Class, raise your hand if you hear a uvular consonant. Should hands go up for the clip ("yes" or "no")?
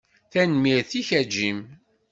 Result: no